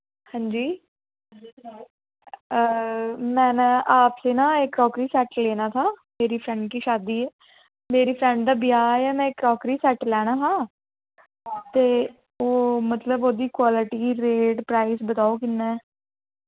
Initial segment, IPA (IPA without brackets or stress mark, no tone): h